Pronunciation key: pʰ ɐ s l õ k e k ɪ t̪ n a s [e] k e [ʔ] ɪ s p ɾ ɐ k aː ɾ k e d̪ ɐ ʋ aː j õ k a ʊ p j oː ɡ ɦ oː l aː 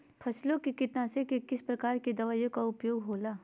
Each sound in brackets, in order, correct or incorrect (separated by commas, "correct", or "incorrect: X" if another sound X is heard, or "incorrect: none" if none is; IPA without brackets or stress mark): correct, incorrect: k